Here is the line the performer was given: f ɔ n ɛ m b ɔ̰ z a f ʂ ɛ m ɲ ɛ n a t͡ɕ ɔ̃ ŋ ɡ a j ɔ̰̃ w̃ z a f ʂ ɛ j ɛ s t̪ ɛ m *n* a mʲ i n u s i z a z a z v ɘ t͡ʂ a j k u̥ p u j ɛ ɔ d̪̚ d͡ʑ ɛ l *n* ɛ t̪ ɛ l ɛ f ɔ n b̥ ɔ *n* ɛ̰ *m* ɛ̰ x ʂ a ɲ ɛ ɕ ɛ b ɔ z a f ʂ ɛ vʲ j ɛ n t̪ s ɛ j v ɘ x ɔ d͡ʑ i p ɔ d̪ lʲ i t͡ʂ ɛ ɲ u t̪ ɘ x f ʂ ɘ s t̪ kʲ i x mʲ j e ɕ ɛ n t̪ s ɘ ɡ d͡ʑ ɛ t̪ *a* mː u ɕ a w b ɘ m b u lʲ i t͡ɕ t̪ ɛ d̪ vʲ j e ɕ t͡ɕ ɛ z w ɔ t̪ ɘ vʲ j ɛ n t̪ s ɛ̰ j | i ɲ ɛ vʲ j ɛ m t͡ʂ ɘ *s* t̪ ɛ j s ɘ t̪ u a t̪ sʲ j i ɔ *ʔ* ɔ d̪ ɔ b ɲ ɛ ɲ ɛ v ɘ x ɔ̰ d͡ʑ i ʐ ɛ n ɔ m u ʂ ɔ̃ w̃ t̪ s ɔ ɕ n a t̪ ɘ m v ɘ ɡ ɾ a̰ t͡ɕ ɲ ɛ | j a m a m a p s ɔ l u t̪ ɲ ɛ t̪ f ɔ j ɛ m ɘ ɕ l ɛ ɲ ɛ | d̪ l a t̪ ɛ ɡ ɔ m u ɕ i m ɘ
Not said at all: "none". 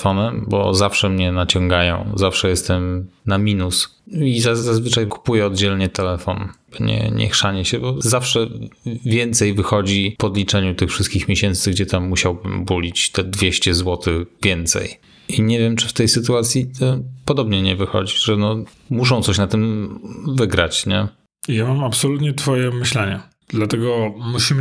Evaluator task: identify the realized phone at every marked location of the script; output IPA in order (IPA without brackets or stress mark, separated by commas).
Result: n, ɲ, ɲ, ɲ, a, f, p